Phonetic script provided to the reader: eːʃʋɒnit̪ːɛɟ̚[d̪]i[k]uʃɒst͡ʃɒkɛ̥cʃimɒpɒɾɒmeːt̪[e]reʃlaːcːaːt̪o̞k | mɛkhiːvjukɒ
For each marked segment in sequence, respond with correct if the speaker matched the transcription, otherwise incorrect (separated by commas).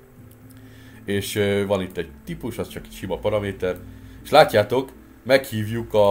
incorrect, incorrect, incorrect